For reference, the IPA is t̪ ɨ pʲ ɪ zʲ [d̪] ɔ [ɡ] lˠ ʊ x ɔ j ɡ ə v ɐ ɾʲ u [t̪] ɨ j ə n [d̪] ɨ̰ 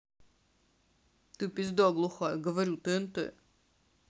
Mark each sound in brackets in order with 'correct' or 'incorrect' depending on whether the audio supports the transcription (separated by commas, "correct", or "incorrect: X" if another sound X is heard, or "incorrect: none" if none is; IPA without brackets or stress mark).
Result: correct, correct, correct, incorrect: t̪